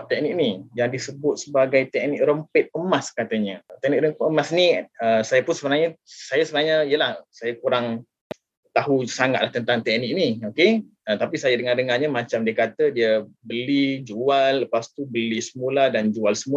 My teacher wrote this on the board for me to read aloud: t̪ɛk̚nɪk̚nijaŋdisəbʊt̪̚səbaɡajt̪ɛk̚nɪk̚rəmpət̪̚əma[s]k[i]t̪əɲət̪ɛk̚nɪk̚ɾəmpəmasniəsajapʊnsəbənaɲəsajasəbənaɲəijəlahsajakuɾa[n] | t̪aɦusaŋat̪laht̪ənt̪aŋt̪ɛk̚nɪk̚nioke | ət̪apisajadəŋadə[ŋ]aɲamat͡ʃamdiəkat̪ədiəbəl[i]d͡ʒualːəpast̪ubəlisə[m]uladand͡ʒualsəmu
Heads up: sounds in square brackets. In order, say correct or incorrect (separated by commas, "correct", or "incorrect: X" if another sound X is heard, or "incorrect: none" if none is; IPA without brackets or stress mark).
correct, incorrect: a, incorrect: ŋ, correct, correct, correct